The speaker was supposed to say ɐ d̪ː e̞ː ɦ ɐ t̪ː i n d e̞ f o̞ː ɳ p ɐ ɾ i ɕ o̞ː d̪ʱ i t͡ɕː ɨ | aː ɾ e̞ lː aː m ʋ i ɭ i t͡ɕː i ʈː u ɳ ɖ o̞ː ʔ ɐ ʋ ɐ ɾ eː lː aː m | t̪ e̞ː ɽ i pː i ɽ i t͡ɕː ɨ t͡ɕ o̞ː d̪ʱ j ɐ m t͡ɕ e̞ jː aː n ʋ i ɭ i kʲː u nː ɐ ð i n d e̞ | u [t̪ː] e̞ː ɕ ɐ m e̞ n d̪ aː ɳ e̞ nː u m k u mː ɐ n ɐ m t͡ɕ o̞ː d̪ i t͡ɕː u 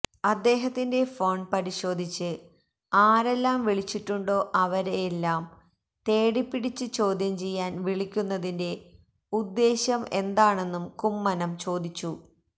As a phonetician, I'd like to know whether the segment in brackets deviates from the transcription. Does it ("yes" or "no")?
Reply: yes